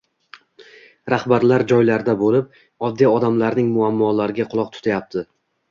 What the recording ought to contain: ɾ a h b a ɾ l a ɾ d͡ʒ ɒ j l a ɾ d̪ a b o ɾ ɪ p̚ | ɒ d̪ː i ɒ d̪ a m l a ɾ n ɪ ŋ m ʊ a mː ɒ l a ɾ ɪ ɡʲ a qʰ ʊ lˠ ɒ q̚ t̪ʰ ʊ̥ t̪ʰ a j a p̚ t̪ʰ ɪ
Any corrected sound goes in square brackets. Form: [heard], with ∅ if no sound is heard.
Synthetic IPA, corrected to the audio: ɾ a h b a ɾ l a ɾ d͡ʒ ɒ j l a ɾ d̪ a b o [l] ɪ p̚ | ɒ d̪ː i ɒ d̪ a m l a ɾ n ɪ ŋ m ʊ a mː ɒ l a ɾ ɪ ɡʲ a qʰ ʊ lˠ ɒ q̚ t̪ʰ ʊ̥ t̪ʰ a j a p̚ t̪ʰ ɪ